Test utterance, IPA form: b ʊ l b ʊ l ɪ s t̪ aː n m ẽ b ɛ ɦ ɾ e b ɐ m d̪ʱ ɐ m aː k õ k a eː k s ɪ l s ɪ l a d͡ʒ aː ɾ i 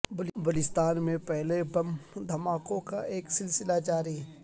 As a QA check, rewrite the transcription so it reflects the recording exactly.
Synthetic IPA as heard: b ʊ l b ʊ l ɪ s t̪ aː n m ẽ p ɛ ɦ l e b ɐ m d̪ʱ ɐ m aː k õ k a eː k s ɪ l s ɪ l a d͡ʒ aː ɾ i